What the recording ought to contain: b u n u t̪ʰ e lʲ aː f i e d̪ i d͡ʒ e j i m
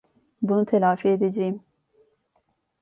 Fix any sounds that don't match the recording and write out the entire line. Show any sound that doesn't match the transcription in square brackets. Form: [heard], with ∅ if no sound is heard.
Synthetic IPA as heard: b u n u t̪ʰ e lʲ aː f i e d̪ [e] d͡ʒ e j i m